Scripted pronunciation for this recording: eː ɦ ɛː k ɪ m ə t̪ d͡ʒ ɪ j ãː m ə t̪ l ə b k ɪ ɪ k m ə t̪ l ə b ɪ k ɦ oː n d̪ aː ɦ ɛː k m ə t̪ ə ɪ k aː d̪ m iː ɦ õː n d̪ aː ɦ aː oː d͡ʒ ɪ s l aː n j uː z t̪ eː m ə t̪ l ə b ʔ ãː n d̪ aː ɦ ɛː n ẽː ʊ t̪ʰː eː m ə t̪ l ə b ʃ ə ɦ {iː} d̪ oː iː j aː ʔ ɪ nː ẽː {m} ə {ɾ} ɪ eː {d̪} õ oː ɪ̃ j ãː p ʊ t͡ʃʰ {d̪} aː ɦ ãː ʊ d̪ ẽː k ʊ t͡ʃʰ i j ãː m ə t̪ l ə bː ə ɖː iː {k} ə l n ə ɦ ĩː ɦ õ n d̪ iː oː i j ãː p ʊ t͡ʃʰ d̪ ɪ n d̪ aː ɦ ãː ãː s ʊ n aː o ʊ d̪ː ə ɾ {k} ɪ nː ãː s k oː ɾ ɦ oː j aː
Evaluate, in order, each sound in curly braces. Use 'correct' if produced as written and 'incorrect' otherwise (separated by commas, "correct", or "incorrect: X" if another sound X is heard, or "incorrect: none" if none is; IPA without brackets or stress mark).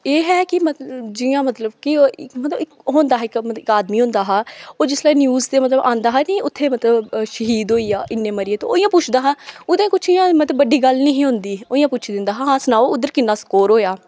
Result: correct, correct, correct, incorrect: t̪, correct, incorrect: ɡ, correct